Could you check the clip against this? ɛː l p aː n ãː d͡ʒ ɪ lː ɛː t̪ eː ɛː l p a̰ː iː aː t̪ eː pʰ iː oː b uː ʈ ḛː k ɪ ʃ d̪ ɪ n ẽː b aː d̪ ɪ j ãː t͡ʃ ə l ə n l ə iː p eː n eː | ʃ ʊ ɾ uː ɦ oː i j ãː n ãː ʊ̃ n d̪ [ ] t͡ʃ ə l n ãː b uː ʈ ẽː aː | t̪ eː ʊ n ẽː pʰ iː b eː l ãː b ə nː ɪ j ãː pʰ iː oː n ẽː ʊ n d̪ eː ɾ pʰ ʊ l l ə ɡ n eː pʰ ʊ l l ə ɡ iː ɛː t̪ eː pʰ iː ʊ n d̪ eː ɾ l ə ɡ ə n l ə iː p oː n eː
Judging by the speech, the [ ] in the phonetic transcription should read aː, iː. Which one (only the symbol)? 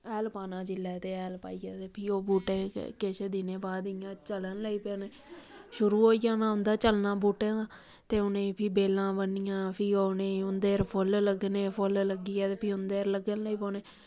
aː